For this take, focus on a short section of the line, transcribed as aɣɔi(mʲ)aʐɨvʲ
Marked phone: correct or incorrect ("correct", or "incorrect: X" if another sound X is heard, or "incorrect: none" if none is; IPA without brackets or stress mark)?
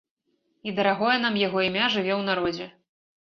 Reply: correct